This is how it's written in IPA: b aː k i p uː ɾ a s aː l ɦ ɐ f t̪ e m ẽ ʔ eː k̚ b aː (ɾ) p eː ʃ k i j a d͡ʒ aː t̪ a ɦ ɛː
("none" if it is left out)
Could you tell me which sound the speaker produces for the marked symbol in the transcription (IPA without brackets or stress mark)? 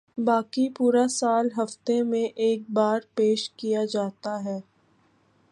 ɾ